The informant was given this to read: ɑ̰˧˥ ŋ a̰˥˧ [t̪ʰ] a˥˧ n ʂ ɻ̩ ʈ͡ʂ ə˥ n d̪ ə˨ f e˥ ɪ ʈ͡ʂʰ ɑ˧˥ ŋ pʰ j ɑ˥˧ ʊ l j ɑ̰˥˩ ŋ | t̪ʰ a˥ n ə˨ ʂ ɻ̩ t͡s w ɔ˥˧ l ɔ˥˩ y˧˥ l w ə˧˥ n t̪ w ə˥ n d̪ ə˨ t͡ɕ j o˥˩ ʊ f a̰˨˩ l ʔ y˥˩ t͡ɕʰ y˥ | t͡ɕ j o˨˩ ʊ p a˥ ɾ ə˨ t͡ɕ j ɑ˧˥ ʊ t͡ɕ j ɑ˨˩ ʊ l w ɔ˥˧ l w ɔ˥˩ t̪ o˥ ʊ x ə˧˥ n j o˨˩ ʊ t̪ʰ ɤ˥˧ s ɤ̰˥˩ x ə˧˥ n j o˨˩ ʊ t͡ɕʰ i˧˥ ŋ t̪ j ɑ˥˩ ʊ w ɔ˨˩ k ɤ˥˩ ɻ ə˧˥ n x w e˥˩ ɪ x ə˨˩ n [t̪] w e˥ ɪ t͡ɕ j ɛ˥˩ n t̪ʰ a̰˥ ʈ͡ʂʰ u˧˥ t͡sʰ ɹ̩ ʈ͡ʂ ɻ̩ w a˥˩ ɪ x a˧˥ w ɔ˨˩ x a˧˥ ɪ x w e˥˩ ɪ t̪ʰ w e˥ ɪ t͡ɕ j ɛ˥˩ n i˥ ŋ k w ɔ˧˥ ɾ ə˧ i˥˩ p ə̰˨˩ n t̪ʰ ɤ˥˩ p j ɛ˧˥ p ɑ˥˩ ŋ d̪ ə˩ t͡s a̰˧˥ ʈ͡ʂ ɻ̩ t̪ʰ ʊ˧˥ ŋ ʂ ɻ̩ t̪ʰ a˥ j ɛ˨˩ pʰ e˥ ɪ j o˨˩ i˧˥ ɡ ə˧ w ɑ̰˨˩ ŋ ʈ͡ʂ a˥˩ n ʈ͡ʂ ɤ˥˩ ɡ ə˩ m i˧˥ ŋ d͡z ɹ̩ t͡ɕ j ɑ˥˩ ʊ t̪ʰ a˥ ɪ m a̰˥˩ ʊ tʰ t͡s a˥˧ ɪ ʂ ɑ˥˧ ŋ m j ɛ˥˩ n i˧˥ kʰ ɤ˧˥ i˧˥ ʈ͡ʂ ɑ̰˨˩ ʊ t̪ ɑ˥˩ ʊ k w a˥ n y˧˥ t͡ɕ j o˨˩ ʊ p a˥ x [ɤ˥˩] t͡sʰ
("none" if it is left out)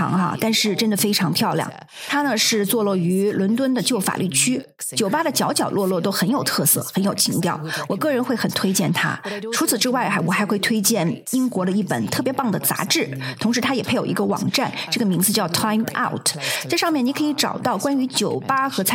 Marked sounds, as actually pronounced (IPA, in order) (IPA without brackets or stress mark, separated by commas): t̪, t̪ʰ, ɤ˧˥